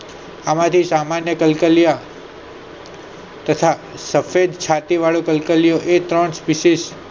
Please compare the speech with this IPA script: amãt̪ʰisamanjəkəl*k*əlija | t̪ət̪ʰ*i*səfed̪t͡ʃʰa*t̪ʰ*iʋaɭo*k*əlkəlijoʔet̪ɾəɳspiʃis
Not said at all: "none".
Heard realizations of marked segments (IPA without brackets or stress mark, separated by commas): k, a, t̪, k